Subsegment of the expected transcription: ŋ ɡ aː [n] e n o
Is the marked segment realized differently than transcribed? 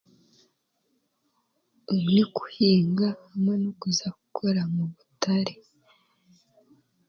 yes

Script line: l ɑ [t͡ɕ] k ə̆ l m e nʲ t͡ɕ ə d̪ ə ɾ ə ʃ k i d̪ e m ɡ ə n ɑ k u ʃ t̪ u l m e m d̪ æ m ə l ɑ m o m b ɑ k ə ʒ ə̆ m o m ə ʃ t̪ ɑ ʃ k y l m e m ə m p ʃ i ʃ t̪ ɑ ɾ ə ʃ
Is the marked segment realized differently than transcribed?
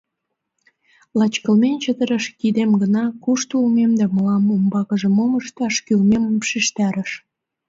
no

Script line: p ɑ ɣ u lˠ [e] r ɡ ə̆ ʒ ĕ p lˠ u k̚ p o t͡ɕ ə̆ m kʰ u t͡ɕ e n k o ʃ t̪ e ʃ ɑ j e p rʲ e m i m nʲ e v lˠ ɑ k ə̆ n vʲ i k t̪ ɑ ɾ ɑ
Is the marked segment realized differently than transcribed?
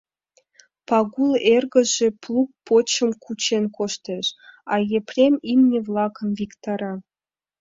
no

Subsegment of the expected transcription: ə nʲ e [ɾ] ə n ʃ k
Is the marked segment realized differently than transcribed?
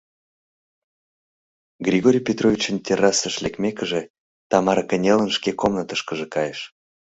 yes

